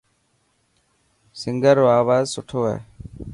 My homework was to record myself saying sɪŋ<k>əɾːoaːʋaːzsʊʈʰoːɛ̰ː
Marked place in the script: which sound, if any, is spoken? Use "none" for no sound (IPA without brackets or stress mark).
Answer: ɡ